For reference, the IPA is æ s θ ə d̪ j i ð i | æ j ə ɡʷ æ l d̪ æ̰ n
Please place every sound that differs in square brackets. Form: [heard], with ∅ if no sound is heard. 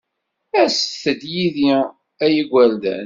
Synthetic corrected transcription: æ s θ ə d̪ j i ð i | æ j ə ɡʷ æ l d̪ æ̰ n